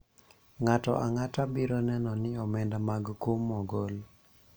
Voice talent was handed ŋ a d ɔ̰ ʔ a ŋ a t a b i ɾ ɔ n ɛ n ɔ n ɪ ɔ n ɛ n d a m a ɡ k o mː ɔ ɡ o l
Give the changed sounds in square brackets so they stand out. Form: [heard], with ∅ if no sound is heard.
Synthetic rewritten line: ŋ a [t] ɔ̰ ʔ a ŋ a t a b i ɾ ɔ n ɛ n ɔ n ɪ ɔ [m] ɛ n d a m a ɡ k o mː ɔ ɡ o l